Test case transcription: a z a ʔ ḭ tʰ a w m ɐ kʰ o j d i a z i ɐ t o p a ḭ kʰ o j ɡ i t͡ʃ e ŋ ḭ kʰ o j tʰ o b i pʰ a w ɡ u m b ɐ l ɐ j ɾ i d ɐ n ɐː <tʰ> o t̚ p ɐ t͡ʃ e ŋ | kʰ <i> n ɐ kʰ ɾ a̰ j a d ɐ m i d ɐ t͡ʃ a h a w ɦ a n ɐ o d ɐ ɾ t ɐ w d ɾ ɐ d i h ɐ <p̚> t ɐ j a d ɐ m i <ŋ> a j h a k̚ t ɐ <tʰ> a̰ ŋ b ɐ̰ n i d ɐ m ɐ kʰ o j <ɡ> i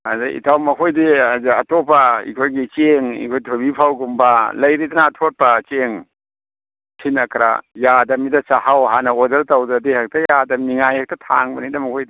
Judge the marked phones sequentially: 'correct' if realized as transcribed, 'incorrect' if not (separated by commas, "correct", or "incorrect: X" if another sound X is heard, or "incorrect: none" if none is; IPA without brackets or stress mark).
correct, correct, incorrect: k̚, correct, correct, incorrect: d